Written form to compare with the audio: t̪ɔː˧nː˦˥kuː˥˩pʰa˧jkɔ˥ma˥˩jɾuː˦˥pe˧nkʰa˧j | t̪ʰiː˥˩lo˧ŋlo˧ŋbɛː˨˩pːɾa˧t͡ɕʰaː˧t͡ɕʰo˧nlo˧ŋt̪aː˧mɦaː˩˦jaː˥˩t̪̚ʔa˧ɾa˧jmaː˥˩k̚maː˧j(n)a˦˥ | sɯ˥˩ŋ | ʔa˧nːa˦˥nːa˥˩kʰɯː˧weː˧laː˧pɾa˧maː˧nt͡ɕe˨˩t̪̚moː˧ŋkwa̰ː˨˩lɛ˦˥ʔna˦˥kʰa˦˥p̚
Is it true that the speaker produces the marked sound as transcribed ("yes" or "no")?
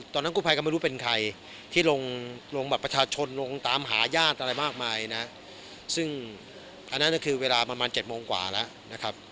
yes